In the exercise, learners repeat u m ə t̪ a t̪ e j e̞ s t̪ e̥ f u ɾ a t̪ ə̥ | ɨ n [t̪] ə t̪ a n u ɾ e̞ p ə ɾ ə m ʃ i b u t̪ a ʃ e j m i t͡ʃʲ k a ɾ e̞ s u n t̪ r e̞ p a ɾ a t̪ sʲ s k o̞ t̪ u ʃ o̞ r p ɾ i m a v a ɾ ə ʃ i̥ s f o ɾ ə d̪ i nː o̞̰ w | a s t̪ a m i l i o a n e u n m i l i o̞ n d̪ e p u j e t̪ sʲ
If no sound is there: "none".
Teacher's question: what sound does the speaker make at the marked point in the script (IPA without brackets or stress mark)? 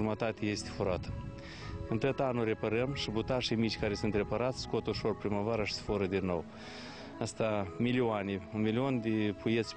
t̪